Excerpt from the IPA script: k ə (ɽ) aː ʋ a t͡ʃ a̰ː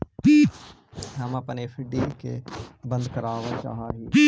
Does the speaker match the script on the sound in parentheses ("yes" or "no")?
no